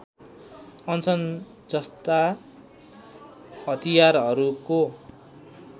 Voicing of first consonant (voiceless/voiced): voiced